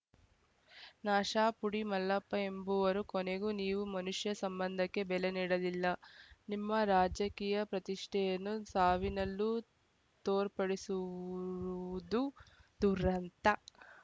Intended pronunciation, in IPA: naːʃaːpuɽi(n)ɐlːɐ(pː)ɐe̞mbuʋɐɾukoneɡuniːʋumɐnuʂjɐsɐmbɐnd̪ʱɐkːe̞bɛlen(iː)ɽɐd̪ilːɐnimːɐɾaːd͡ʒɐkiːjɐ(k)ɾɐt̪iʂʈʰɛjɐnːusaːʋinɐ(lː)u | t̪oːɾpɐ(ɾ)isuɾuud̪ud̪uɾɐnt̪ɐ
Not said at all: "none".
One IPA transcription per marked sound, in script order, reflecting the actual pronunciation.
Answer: m, pː, iː, p, lː, ɽ

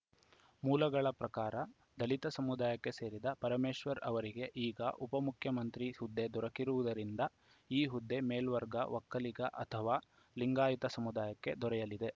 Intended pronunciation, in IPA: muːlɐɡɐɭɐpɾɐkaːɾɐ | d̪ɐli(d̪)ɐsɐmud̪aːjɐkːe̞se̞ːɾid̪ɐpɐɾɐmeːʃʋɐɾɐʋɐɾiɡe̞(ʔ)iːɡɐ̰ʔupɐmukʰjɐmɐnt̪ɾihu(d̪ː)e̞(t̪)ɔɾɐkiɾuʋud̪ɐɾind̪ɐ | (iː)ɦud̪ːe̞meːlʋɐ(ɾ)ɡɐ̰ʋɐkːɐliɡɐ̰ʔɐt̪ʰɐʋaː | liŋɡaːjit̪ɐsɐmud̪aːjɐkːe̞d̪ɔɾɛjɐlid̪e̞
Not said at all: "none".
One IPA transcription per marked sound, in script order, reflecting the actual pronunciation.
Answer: t̪, ʔ, d̪ː, d̪, iː, ɾ

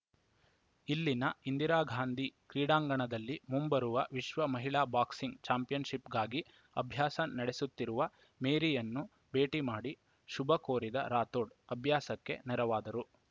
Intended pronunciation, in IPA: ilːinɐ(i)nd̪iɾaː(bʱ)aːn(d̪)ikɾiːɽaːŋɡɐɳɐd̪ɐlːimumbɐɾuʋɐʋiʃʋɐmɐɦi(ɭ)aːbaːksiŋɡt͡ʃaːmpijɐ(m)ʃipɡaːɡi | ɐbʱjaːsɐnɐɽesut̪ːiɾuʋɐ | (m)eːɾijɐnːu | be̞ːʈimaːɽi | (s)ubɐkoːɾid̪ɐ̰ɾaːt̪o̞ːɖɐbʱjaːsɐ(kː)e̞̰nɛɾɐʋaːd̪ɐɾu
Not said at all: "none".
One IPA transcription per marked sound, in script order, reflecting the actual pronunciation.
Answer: i, ɡʱ, d̪, ɭ, n, m, ʃ, kː

